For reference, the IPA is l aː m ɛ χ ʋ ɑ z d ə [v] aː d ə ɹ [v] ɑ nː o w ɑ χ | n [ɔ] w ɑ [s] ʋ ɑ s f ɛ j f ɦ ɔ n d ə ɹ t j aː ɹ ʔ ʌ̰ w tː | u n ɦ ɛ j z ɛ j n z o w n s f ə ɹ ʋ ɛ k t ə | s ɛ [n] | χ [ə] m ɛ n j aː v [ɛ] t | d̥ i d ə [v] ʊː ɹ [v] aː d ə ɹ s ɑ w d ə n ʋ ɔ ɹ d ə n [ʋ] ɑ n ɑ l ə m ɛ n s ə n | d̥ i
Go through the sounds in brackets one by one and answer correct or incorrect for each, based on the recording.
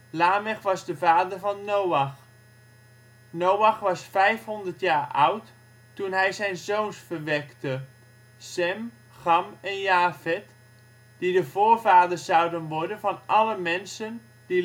correct, correct, incorrect: o, incorrect: χ, incorrect: m, incorrect: ɑ, correct, correct, correct, incorrect: v

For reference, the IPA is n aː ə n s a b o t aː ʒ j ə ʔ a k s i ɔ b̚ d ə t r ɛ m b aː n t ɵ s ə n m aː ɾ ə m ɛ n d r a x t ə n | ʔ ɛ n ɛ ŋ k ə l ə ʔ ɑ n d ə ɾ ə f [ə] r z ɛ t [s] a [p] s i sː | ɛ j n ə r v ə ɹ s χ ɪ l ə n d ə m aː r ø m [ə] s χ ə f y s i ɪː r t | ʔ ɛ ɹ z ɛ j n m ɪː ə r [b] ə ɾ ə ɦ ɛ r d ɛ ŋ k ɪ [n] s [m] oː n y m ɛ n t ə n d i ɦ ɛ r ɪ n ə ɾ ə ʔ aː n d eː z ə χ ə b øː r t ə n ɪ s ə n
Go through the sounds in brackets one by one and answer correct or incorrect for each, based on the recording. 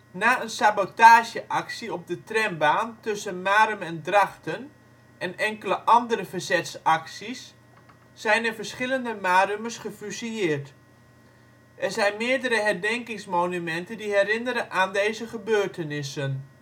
correct, correct, incorrect: k, correct, incorrect: d, incorrect: ŋ, correct

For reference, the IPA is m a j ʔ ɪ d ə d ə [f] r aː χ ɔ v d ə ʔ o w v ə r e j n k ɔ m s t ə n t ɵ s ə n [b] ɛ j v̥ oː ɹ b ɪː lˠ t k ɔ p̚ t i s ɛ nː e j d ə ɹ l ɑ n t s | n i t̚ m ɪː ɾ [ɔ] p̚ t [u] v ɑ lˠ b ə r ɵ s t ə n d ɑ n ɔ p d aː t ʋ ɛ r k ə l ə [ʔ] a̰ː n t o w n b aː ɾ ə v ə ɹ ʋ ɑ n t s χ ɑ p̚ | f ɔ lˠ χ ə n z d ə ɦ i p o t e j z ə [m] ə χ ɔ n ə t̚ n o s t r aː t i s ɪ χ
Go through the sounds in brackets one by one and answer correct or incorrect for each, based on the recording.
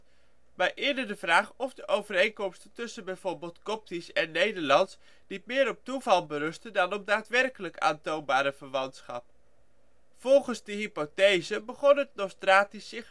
incorrect: v, correct, correct, correct, incorrect: k, incorrect: b

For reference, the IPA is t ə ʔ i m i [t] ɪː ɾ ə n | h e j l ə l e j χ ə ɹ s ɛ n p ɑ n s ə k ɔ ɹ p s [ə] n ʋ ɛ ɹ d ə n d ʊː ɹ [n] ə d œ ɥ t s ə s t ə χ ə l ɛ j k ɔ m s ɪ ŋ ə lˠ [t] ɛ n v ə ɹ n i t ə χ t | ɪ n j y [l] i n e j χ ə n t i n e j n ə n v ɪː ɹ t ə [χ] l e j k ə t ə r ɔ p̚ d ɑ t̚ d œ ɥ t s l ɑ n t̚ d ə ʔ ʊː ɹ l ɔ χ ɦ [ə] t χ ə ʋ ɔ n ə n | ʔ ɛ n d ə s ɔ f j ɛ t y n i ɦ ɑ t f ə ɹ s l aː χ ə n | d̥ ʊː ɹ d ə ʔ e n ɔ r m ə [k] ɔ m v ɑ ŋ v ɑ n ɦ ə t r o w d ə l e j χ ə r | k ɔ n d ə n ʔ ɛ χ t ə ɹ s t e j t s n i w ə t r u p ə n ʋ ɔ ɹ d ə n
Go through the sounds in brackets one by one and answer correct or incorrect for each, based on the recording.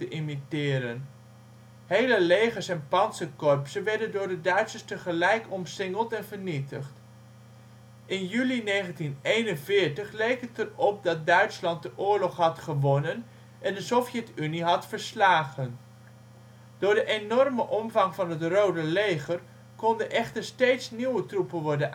correct, correct, incorrect: d, correct, correct, correct, incorrect: ɑ, incorrect: ʔ

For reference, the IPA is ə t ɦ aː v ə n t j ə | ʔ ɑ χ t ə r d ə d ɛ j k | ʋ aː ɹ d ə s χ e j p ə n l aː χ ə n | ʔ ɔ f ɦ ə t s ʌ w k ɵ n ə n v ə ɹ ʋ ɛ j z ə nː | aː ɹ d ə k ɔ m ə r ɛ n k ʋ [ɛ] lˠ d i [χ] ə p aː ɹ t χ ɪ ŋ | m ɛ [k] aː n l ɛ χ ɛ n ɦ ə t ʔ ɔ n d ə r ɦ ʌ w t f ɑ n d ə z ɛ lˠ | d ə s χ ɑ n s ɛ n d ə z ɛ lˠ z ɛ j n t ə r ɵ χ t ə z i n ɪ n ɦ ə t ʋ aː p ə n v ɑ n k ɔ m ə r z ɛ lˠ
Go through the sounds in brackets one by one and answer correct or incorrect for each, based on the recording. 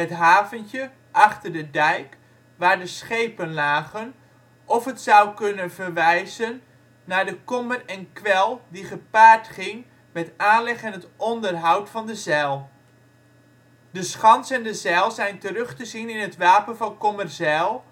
correct, correct, incorrect: t

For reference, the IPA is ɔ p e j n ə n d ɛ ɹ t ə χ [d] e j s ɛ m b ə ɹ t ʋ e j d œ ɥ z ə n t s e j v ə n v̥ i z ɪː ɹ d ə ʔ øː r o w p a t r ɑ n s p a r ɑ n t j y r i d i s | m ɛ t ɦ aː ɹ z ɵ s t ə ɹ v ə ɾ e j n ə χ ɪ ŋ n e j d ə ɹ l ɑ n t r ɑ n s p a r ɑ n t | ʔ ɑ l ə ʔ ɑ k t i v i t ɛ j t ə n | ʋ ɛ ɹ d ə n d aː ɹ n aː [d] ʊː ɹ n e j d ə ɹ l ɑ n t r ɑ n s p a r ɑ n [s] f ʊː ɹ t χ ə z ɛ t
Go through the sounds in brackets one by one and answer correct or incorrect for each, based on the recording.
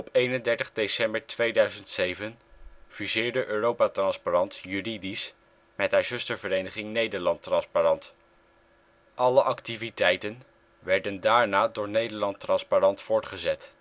correct, correct, incorrect: t

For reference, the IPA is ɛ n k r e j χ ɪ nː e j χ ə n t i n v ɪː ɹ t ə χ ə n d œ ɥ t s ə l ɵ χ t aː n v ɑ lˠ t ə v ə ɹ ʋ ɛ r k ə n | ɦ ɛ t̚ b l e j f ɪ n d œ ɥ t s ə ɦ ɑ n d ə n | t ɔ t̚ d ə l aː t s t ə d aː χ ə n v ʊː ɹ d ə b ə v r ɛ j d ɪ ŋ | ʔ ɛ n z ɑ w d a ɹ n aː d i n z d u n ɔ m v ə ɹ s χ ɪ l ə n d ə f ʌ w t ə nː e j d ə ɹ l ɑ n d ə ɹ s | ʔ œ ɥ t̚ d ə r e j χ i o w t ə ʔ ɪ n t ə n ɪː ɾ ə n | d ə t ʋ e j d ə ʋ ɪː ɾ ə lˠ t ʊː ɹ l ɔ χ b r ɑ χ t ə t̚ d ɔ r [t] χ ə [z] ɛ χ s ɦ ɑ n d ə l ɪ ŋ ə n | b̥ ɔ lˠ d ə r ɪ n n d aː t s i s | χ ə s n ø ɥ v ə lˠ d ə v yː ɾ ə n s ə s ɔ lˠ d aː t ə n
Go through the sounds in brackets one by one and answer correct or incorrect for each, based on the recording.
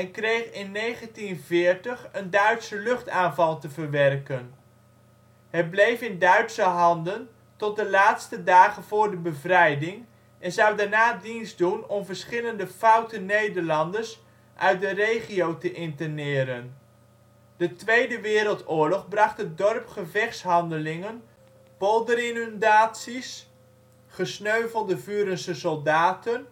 incorrect: p, incorrect: v

